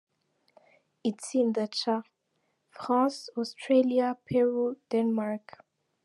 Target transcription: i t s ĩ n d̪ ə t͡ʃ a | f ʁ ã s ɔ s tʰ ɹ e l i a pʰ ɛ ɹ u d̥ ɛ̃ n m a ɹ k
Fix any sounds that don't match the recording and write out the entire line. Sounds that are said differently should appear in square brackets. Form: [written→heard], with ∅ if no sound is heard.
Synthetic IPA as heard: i t s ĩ n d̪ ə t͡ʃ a | f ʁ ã s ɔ s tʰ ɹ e l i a pʰ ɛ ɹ u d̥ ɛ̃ n m a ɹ k